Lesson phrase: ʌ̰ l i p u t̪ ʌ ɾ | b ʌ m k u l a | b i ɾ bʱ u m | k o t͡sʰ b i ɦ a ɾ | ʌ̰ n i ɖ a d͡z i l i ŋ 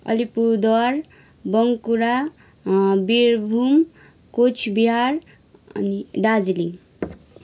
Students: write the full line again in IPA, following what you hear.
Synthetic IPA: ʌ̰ l i p u d̪ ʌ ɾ | b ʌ ŋ k u ɾ a | b i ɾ bʱ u m | k o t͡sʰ b i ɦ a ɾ | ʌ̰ n i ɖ a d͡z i l i ŋ